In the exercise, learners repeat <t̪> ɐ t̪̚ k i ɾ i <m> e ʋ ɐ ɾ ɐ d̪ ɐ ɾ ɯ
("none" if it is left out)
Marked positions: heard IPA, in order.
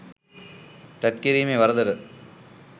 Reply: t̪, m

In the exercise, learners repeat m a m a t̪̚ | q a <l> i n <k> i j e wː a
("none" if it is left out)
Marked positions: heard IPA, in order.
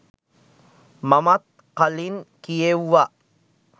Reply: l, k

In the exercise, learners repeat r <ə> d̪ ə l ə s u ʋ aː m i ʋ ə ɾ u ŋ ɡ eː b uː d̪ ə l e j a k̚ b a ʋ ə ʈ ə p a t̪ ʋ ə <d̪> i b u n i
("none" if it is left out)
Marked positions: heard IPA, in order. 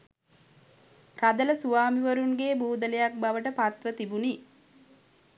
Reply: a, t̪

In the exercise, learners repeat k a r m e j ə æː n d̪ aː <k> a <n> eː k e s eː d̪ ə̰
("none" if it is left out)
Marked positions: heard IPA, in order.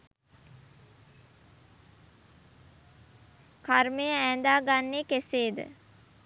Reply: ɡ, nː

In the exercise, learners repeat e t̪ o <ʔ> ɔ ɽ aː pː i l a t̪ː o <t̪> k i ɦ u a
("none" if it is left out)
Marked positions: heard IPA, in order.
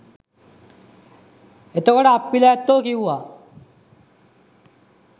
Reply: k, none

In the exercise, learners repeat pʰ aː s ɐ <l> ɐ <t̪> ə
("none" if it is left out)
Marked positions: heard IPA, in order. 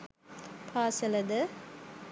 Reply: l, d̪

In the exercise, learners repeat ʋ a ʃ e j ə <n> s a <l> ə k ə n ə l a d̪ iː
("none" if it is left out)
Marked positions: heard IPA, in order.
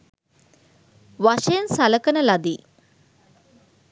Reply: n, l

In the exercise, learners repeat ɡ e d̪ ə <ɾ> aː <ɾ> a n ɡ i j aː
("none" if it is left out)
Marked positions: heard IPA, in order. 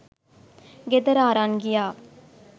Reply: ɾ, ɾ

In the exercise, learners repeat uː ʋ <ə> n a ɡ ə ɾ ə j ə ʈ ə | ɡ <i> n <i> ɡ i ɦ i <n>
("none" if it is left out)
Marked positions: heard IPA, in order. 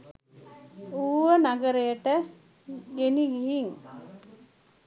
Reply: ə, e, i, ŋ

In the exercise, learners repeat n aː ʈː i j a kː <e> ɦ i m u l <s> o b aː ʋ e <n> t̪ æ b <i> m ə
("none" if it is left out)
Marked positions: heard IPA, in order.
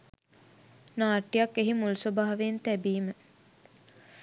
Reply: e, s, n, iː

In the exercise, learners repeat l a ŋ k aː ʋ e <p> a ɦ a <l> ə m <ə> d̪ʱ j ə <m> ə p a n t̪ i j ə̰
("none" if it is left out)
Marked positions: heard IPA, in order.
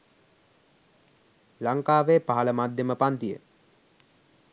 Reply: p, l, a, m

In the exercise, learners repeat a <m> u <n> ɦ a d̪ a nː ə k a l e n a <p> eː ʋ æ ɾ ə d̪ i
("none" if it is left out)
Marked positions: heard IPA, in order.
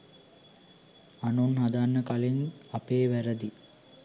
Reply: n, n, p

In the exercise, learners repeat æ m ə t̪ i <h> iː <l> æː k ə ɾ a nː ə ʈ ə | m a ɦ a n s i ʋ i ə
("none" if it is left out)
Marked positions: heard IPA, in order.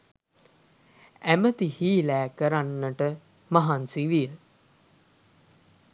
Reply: h, l

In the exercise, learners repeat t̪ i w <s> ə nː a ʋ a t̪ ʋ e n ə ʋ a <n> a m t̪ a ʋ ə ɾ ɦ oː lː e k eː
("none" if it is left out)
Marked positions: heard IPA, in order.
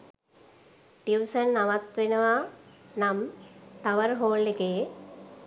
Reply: s, n

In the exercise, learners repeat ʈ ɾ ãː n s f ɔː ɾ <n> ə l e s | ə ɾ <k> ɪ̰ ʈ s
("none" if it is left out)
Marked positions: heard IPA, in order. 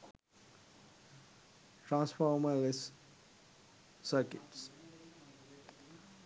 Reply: m, k

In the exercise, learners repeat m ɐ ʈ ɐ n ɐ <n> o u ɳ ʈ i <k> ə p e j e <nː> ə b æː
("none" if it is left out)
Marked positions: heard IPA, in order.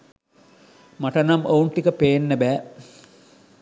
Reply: m, k, nː

